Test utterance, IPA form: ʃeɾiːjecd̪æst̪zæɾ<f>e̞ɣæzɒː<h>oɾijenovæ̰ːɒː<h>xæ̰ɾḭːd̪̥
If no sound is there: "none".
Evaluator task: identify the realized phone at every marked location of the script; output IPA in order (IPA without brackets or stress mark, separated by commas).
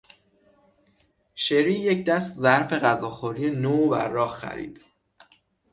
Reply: f, x, h